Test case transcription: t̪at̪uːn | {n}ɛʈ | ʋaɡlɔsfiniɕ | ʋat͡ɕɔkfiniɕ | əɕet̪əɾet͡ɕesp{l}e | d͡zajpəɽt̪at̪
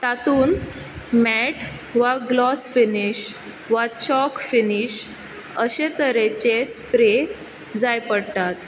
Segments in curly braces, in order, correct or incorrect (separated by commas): incorrect, incorrect